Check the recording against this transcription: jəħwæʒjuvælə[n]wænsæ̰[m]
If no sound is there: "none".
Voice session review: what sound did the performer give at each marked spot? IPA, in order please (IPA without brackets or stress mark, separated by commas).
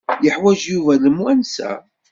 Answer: m, none